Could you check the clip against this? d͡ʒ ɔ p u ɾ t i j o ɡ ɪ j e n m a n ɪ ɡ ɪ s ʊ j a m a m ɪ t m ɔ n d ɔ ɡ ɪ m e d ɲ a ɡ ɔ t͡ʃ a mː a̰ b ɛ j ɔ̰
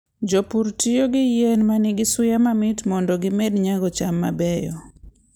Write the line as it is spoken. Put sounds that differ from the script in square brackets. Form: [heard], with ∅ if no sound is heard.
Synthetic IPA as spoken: d͡ʒ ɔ p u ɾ t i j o ɡ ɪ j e n m a n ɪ ɡ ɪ s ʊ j a m a m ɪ t m ɔ n d ɔ ɡ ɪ m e d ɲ a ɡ ɔ t͡ʃ a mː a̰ b ɛ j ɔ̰